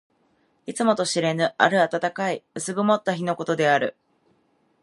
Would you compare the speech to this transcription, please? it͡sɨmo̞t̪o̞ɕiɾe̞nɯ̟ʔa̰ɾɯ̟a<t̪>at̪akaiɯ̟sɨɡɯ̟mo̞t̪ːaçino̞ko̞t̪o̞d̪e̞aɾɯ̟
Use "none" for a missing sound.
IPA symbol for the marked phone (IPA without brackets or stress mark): t̪